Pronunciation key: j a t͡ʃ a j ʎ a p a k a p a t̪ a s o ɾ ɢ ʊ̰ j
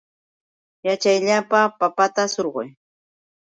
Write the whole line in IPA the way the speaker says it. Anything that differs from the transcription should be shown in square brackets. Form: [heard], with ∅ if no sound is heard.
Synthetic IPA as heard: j a t͡ʃ a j ʎ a p a [p] a p a t̪ a s o ɾ ɢ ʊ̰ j

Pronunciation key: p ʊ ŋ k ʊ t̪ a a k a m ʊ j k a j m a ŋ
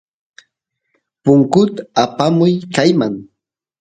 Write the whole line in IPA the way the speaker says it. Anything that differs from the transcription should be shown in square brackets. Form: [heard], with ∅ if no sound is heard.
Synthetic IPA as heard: p ʊ ŋ k ʊ t̪ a a [p] a m ʊ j k a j m a ŋ

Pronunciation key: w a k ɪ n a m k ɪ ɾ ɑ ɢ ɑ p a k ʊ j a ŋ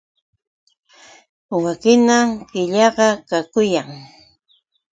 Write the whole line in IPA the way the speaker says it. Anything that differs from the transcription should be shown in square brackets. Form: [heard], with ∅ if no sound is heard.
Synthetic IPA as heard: w a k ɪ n a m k ɪ [ʎ] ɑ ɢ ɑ [k] a k ʊ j a ŋ

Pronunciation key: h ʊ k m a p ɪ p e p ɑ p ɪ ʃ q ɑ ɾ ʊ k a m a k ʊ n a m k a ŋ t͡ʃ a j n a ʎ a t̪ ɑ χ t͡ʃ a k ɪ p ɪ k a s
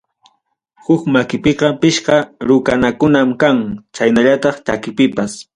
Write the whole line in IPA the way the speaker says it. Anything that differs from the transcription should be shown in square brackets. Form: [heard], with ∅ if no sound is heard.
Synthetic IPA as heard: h ʊ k m a [k] ɪ p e [q] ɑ p ɪ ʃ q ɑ ɾ ʊ k a [n] a k ʊ n a m k a ŋ t͡ʃ a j n a ʎ a t̪ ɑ χ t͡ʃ a k ɪ p ɪ [p] a s

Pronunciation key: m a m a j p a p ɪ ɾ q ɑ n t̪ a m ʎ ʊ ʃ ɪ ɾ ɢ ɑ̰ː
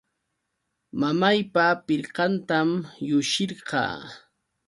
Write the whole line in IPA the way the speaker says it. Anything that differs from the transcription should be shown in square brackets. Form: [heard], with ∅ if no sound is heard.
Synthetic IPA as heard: m a m a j p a p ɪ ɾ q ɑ n t̪ a m [j] ʊ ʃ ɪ ɾ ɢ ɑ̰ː

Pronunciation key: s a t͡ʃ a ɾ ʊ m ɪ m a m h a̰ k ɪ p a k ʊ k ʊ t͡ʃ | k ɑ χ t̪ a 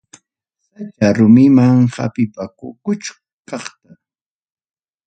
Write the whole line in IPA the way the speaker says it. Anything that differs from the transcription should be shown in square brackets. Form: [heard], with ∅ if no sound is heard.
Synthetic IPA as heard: s a t͡ʃ a ɾ ʊ m ɪ m a [ŋ] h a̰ [p] ɪ p a k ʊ k ʊ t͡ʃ | k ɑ χ t̪ a

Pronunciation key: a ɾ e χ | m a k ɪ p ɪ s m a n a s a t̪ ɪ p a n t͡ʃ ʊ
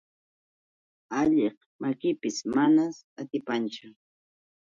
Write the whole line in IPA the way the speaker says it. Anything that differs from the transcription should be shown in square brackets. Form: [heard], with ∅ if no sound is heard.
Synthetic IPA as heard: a [ʎ] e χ | m a k ɪ p ɪ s m a n a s a t̪ ɪ p a n t͡ʃ ʊ

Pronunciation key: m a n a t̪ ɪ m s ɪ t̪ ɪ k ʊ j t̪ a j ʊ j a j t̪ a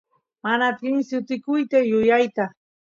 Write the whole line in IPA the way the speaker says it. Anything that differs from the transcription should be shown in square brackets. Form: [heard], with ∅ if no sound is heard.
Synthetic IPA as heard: m a n a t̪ ɪ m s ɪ t̪ ɪ k ʊ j t̪ a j ʊ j a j t̪ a

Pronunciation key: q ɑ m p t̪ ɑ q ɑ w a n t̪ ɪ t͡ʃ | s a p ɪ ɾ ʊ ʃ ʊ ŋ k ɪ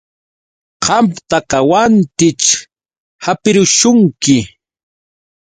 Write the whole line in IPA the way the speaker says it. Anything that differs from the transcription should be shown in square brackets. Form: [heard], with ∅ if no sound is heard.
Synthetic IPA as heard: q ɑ m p t̪ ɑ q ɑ w a n t̪ ɪ t͡ʃ | [h] a p ɪ ɾ ʊ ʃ ʊ ŋ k ɪ

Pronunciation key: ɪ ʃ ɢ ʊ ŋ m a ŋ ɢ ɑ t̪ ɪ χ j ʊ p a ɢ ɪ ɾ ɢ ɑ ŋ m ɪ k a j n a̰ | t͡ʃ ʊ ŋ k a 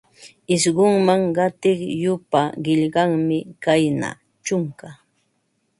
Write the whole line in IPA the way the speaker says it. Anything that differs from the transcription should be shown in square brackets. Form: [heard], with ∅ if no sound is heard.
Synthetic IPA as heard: ɪ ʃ ɢ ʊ ŋ m a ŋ ɢ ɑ t̪ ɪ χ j ʊ p a ɢ ɪ [ʎ] ɢ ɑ ŋ m ɪ k a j n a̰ | t͡ʃ ʊ ŋ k a

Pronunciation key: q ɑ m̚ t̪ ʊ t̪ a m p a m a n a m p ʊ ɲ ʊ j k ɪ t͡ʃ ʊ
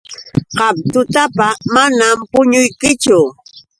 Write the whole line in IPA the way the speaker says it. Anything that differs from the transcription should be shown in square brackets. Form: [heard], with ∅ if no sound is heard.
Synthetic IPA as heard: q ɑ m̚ t̪ ʊ t̪ a [∅] p a m a n a m p ʊ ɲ ʊ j k ɪ t͡ʃ ʊ

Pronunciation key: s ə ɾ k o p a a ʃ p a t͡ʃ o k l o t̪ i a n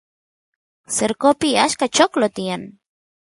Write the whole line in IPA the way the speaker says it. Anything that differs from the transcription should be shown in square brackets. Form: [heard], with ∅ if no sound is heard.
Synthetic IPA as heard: s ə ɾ k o p [i] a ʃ [k] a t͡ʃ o k l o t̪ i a n

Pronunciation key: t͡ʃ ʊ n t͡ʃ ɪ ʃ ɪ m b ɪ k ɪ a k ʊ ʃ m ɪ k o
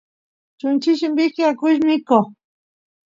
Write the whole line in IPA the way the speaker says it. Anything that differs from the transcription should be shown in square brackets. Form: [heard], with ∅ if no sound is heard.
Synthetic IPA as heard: t͡ʃ ʊ n t͡ʃ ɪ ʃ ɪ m b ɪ k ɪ a k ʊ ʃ m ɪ k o

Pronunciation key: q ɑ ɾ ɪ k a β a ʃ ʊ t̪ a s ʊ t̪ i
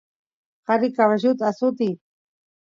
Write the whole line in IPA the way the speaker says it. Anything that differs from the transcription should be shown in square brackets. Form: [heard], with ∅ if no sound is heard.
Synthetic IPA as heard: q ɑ ɾ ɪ k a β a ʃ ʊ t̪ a s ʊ t̪ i

